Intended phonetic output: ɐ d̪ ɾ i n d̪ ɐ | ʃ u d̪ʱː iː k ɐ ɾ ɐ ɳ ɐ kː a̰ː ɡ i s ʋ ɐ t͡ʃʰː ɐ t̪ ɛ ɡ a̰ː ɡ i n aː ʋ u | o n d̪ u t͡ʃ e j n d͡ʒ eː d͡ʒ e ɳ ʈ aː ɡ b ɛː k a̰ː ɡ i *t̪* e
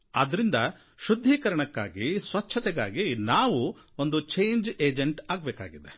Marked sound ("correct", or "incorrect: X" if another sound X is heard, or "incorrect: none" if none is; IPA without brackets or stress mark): incorrect: d̪